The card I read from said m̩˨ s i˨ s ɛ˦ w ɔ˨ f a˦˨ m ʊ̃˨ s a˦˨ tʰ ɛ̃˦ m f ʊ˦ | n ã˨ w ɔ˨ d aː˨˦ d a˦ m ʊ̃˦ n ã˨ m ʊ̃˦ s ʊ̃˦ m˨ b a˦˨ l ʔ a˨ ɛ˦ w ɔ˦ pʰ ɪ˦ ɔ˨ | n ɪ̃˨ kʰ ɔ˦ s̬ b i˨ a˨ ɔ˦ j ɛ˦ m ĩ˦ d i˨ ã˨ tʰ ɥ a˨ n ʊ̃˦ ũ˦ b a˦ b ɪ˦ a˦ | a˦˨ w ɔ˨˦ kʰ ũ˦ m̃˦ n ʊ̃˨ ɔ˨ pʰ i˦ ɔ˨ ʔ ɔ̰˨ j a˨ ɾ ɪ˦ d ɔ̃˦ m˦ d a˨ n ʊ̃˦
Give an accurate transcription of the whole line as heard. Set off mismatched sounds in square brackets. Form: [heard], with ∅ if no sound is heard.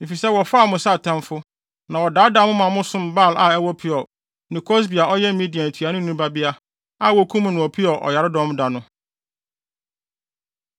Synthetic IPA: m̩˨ [f] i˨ s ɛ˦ w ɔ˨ f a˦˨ m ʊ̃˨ s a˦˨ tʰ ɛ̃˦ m f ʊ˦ | n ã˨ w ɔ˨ d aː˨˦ d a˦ m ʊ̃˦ [m] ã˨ m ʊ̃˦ s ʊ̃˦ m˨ b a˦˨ l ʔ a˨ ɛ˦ w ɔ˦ pʰ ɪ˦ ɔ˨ | n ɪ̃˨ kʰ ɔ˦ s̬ b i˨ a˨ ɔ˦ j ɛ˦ m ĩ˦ d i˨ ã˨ tʰ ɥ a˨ n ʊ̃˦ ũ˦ b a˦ b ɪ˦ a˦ | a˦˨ w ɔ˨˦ kʰ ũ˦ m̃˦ n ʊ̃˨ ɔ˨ pʰ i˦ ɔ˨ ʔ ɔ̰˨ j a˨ ɾ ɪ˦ d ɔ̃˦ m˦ d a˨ n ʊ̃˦